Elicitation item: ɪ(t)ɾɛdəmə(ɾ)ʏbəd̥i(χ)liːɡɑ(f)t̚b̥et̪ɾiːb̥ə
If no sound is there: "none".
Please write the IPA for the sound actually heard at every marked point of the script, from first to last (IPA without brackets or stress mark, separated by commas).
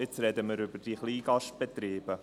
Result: t͡s, ɾ, χ, ʃ